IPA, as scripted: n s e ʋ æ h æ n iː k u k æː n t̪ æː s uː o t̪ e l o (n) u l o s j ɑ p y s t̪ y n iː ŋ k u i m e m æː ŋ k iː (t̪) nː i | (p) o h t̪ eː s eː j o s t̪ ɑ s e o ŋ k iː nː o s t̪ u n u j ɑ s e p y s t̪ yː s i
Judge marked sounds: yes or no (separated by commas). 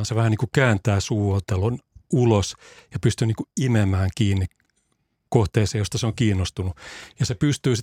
yes, no, no